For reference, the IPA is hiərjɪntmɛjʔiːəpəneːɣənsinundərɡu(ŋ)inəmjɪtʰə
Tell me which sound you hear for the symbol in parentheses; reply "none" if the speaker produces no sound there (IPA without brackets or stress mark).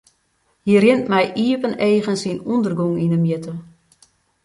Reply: ŋ